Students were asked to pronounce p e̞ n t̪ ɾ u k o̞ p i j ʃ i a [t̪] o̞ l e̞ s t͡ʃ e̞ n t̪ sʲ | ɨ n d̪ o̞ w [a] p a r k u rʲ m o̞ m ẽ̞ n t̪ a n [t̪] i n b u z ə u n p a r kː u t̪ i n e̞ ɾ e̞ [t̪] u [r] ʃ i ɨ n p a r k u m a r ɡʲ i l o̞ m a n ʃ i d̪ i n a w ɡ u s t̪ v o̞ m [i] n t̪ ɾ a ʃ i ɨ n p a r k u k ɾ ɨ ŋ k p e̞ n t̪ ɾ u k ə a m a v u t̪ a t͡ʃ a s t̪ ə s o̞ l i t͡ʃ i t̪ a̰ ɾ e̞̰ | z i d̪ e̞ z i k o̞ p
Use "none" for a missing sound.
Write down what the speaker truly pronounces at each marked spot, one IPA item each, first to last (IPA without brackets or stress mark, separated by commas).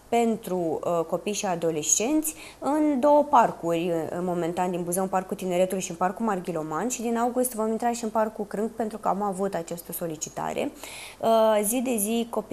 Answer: d̪, ə, d̪, t̪, l, i